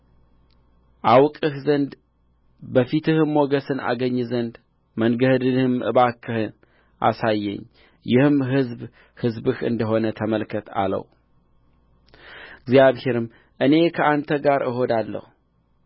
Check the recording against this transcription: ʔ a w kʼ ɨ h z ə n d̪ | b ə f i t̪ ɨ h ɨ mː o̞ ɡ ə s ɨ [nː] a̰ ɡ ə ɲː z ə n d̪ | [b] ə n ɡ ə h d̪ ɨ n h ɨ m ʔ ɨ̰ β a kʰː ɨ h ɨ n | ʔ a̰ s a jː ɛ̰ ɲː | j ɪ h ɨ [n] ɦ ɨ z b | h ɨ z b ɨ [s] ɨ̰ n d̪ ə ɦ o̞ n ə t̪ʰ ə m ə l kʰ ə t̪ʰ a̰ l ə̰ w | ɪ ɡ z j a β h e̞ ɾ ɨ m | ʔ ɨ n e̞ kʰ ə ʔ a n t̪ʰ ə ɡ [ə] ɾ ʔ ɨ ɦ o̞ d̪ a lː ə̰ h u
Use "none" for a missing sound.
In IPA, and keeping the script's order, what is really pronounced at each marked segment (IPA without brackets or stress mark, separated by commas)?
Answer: n, m, m, h, a